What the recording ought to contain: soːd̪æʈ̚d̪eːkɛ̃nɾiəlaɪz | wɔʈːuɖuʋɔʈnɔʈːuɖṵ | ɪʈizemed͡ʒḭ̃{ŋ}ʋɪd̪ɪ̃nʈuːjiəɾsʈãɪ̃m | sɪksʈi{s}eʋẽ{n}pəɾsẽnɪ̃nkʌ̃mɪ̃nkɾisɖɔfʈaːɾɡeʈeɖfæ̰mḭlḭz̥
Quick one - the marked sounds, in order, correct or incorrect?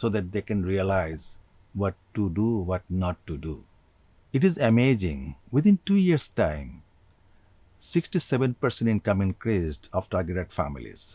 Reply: correct, correct, correct

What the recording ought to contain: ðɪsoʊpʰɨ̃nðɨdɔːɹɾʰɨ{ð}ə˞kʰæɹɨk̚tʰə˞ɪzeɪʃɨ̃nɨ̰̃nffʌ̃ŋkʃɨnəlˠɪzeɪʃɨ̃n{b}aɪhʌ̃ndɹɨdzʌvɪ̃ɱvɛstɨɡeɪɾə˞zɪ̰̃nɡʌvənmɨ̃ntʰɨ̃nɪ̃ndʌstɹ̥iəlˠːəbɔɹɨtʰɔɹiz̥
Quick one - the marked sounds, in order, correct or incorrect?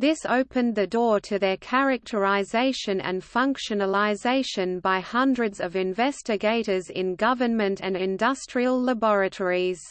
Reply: correct, correct

